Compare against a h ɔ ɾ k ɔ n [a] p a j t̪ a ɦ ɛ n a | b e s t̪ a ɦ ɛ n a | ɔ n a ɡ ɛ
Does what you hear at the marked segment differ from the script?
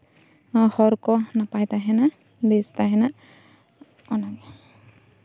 no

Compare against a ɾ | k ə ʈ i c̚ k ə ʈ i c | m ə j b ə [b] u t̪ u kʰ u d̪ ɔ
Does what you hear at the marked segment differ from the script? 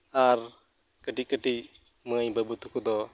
no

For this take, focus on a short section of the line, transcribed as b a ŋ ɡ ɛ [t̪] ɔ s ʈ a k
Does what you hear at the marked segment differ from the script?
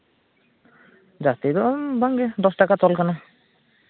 yes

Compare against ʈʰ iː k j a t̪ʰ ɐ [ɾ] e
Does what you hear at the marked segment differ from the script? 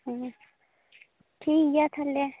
yes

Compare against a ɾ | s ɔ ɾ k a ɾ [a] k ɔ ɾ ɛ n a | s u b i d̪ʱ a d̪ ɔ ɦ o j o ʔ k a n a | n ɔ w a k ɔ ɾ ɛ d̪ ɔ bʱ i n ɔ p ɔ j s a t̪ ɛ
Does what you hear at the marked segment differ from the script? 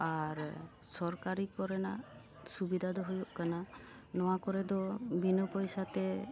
yes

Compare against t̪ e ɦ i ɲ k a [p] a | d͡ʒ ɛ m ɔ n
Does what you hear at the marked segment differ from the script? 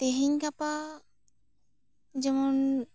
no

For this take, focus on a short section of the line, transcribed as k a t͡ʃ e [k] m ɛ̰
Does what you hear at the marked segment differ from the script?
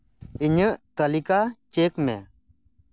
no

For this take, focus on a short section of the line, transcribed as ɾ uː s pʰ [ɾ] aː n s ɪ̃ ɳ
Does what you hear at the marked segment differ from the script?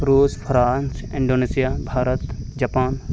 no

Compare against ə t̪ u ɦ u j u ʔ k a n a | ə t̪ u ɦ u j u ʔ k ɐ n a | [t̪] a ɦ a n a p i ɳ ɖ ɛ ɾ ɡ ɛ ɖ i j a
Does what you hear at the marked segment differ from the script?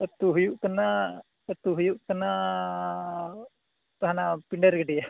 no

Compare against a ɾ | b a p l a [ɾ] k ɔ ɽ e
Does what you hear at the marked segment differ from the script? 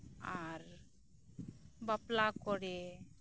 yes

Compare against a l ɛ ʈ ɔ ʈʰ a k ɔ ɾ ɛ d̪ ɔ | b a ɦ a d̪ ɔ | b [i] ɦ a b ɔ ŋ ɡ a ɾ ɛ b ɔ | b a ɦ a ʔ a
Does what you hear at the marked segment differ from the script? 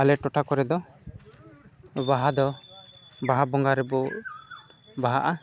yes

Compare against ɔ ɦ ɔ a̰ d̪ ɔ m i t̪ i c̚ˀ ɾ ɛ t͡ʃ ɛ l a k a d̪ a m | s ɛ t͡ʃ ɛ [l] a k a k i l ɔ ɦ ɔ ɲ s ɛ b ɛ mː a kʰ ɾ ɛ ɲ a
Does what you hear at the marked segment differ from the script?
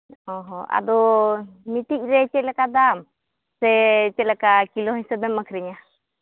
no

